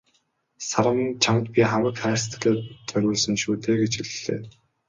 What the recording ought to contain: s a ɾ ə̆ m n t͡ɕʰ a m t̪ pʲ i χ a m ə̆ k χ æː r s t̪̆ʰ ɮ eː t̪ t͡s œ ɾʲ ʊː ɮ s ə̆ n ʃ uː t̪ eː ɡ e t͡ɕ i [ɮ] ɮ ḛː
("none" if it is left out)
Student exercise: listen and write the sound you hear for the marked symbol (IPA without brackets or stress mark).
ɮ